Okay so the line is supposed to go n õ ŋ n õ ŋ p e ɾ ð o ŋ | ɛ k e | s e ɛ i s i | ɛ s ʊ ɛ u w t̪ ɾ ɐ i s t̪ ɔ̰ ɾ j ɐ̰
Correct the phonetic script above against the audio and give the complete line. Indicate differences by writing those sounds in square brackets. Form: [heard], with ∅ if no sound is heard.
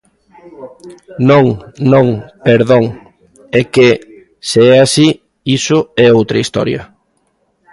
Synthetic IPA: n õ ŋ n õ ŋ p e ɾ ð o ŋ | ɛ k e | s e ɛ [a] s i | [i] s ʊ ɛ [o] w t̪ ɾ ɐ i s t̪ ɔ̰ ɾ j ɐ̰